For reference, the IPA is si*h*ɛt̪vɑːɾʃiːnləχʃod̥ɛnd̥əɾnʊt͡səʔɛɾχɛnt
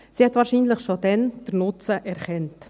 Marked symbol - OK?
yes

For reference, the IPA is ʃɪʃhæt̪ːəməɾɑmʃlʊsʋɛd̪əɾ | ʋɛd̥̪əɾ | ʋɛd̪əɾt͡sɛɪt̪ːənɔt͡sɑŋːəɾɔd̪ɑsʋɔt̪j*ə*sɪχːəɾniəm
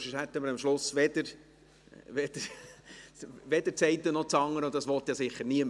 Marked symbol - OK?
no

